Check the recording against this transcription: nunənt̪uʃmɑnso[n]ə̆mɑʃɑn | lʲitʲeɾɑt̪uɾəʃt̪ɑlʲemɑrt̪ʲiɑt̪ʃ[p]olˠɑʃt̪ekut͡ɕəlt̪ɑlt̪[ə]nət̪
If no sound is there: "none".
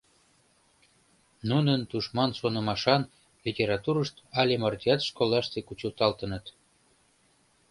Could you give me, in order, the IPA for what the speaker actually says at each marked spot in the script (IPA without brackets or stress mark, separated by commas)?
n, k, ə